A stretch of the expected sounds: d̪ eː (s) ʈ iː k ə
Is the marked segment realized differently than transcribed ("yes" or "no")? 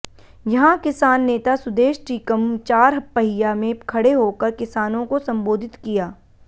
yes